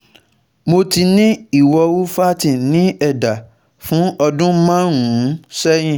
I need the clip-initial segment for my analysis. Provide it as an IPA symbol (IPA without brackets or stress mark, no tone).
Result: m